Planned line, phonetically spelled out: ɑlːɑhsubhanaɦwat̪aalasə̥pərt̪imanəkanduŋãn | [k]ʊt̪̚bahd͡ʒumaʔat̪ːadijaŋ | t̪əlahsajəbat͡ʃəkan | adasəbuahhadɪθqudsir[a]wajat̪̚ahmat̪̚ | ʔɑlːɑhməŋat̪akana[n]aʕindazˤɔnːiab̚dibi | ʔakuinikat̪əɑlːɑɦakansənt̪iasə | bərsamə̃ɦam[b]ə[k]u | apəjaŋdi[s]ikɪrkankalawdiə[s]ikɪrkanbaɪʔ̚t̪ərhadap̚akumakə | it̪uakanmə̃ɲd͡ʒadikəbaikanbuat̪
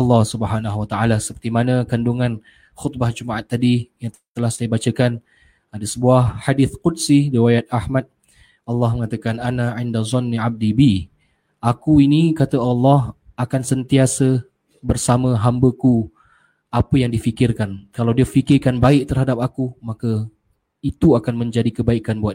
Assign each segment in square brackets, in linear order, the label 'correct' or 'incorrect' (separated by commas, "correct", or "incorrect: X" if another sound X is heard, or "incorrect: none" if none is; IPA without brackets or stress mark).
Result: incorrect: x, incorrect: i, correct, correct, correct, incorrect: f, incorrect: f